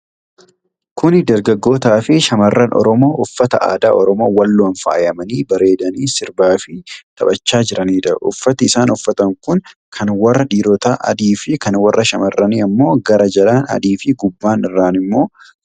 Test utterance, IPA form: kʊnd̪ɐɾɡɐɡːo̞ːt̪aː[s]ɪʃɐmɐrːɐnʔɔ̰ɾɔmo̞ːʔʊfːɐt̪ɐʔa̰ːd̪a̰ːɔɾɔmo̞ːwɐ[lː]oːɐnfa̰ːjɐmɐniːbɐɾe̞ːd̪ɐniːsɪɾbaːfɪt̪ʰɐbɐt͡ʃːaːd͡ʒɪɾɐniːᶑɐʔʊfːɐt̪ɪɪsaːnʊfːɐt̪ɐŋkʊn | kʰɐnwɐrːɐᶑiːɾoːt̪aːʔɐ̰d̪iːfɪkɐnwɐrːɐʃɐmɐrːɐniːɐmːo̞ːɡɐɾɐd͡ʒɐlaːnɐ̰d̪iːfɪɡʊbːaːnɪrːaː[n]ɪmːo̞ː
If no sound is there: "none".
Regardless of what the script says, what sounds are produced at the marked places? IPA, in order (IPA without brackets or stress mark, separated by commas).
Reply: f, lː, n